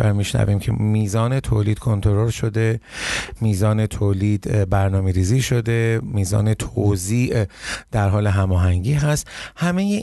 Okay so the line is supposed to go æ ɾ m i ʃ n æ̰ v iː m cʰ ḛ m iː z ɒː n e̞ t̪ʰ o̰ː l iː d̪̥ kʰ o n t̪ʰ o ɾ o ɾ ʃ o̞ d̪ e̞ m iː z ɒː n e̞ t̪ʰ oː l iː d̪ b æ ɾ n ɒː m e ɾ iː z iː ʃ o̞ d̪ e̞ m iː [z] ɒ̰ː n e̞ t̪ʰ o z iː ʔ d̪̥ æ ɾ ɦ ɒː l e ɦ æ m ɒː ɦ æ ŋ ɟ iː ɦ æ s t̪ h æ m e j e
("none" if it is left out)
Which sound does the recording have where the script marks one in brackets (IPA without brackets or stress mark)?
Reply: z